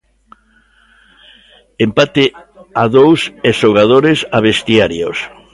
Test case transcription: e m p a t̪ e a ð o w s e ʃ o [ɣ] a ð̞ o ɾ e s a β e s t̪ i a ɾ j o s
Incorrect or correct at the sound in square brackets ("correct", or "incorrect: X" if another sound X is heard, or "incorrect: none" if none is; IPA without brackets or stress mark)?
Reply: correct